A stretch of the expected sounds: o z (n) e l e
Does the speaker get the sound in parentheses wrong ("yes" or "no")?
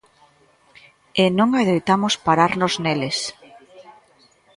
no